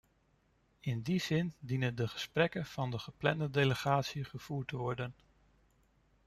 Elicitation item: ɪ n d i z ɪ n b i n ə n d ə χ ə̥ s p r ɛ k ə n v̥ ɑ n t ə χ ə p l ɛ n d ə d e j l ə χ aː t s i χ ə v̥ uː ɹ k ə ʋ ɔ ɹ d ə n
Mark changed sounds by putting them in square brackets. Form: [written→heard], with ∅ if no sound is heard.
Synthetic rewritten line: ɪ n d i z ɪ n [b→d] i n ə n d ə χ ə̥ s p r ɛ k ə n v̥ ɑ n [t→d] ə χ ə p l ɛ n d ə d e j l ə χ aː t s i χ ə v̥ uː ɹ [k→t] ə ʋ ɔ ɹ d ə n